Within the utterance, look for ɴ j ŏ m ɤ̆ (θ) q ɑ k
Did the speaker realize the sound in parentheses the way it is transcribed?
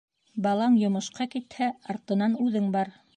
no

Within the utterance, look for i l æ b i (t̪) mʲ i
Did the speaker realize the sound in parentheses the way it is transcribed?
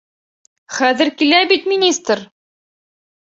yes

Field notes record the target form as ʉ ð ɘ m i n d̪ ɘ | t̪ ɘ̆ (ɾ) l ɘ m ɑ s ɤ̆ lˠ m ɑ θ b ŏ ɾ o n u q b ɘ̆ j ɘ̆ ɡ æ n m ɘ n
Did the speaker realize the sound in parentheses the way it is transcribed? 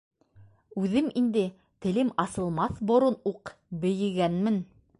no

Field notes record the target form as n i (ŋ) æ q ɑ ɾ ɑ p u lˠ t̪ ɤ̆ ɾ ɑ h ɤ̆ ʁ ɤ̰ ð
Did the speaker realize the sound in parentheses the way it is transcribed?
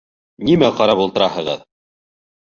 no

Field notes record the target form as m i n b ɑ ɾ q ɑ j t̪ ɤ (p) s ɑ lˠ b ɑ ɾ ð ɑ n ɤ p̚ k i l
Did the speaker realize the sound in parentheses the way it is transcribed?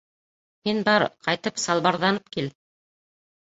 yes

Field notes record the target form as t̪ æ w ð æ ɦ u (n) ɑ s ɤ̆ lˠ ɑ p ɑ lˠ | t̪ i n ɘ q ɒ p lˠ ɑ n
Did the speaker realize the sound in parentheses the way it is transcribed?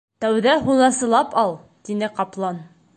yes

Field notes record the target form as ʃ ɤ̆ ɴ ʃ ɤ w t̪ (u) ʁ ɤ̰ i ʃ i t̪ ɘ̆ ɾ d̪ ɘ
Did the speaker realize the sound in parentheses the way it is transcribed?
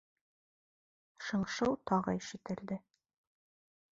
no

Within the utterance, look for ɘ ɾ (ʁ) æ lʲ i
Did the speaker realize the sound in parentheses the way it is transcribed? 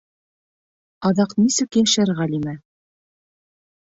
yes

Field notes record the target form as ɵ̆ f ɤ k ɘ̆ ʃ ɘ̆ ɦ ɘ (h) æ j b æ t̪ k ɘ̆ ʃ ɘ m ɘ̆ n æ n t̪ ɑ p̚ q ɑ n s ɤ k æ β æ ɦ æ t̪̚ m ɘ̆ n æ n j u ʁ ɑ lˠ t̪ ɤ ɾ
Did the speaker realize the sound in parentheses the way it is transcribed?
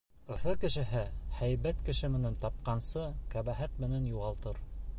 yes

